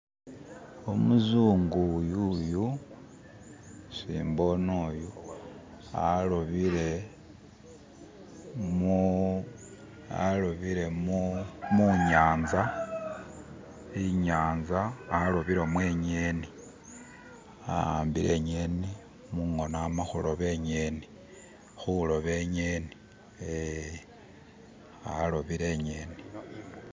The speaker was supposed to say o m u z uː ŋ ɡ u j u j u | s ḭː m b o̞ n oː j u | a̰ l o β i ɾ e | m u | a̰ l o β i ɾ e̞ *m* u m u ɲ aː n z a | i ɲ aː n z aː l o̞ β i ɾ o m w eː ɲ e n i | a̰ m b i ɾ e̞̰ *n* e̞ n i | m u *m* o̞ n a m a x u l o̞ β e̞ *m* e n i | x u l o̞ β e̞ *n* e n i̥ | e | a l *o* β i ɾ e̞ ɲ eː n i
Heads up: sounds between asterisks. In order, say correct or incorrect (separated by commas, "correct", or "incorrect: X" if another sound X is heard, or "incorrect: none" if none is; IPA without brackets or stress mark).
correct, incorrect: ɲ, incorrect: ŋ, incorrect: ɲ, incorrect: ɲ, correct